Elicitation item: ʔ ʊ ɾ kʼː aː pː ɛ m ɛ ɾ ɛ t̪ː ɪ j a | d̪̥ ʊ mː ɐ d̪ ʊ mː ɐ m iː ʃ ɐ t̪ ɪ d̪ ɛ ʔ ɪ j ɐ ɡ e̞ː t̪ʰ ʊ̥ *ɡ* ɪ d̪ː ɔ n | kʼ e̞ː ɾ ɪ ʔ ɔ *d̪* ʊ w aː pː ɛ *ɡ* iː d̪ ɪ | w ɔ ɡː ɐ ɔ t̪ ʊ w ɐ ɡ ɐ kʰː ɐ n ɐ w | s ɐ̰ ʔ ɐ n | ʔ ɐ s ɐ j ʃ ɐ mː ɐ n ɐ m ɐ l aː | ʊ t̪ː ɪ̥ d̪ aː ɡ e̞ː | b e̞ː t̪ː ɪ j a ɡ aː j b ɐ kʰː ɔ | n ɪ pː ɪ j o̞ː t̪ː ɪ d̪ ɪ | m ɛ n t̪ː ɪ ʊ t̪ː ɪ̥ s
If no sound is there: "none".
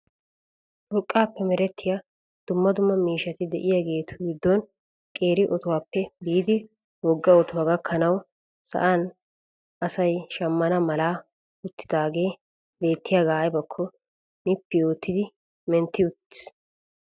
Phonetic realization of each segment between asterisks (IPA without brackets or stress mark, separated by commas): ɡ, t̪, b